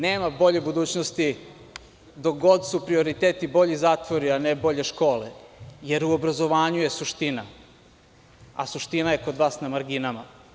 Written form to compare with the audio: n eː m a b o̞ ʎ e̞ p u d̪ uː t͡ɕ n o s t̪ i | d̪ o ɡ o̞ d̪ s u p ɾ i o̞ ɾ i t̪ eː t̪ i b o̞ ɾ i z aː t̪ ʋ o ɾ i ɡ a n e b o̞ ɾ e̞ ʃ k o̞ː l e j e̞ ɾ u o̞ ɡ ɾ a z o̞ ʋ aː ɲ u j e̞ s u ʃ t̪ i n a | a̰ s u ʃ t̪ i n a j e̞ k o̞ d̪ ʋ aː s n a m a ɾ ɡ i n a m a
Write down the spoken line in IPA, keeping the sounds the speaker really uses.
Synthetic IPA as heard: n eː m a b o̞ ʎ e̞ b u d̪ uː t͡ɕ n o s t̪ i | d̪ o ɡ o̞ d̪ s u p ɾ i o̞ ɾ i t̪ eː t̪ i b o̞ ʎ i z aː t̪ ʋ o ɾ i a n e b o̞ ʎ e̞ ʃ k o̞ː l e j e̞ ɾ u o̞ b ɾ a z o̞ ʋ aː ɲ u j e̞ s u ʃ t̪ i n a | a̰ s u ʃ t̪ i n a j e̞ k o̞ d̪ ʋ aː s n a m a ɾ ɡ i n a m a